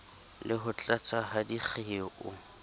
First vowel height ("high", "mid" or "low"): high